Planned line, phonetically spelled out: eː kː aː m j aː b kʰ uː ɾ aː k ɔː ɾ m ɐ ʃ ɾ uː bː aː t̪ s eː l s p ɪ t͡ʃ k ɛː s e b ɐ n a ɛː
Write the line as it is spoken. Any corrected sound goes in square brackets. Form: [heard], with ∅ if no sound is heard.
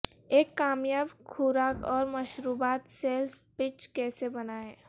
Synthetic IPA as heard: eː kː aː m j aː b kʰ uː ɾ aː k ɔː ɾ m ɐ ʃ ɾ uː [b] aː t̪ s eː l s p ɪ t͡ʃ k ɛː s e b ɐ n a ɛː